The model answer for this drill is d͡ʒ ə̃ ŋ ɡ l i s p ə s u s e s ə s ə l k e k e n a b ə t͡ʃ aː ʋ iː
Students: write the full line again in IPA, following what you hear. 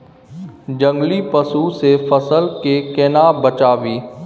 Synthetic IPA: d͡ʒ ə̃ ŋ ɡ l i p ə s u s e f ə s ə l k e k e n a b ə t͡ʃ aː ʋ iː